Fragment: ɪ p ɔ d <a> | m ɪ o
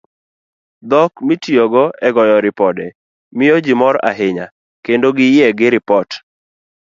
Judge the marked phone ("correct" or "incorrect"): incorrect